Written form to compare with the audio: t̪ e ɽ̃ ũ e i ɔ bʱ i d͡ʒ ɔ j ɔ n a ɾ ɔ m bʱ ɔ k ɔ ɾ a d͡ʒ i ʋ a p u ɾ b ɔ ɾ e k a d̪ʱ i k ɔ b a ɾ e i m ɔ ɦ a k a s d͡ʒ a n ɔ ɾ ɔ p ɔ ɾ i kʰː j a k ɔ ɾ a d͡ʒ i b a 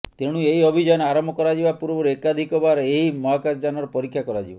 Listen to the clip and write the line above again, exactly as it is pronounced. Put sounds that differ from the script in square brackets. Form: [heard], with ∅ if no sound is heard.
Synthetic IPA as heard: t̪ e ɽ̃ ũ e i ɔ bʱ i d͡ʒ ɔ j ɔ n a ɾ ɔ m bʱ ɔ k ɔ ɾ a d͡ʒ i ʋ a p u ɾ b ɔ ɾ e k a d̪ʱ i k ɔ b a ɾ e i m ɔ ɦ a k a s d͡ʒ a n ɔ ɾ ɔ p ɔ ɾ i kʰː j a k ɔ ɾ a d͡ʒ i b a